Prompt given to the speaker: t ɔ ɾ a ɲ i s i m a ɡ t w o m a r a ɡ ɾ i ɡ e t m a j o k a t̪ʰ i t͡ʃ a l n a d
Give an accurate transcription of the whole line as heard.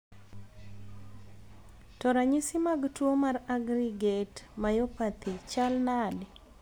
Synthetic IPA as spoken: t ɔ ɾ a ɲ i s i m a ɡ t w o m a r a ɡ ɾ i ɡ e t m a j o p a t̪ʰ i t͡ʃ a l n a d